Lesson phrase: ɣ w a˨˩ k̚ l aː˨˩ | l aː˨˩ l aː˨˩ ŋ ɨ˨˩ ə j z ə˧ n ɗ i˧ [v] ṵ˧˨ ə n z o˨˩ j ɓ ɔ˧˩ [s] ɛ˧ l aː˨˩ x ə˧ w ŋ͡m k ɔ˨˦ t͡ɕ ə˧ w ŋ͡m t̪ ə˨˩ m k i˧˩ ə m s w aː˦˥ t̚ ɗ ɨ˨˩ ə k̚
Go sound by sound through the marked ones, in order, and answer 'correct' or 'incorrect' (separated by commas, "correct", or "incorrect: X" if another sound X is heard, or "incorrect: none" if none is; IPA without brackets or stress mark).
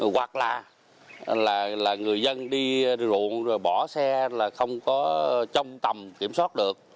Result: incorrect: z, correct